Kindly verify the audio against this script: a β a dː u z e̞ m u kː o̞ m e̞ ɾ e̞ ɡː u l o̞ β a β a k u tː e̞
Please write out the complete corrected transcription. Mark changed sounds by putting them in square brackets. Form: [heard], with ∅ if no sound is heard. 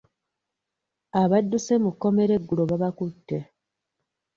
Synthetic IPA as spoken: a β a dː u [s] e̞ m u kː o̞ m e̞ ɾ e̞ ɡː u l o̞ β a β a k u tː e̞